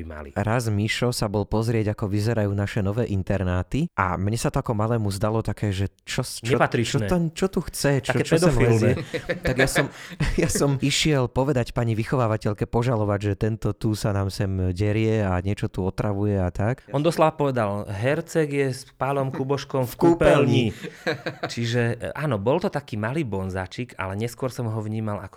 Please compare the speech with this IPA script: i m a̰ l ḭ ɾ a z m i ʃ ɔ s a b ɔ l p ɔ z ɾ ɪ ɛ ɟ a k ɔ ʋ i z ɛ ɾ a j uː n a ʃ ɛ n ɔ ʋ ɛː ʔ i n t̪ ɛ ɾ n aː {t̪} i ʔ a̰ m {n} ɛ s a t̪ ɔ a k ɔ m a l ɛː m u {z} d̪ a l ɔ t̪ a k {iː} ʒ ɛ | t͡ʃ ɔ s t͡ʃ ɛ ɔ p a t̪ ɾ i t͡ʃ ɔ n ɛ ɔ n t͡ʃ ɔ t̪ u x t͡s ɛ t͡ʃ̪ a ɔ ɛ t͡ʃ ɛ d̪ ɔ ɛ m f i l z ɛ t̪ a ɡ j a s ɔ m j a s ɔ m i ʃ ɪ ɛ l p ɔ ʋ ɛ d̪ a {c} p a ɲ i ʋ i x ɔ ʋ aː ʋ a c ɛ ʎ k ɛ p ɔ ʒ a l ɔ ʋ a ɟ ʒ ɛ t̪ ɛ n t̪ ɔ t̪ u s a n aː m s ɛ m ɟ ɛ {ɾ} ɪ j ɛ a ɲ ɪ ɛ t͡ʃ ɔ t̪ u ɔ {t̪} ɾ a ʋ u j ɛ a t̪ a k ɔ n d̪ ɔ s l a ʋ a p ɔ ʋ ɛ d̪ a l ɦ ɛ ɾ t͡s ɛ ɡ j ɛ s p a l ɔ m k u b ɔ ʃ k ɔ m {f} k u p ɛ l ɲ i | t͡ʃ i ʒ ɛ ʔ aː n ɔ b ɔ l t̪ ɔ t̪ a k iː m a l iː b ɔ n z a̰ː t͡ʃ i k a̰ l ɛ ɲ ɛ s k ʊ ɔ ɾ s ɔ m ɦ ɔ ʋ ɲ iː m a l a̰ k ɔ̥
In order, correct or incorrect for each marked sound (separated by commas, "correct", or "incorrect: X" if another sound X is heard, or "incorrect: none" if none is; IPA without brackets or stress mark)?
correct, incorrect: ɲ, correct, incorrect: ɛː, correct, correct, correct, correct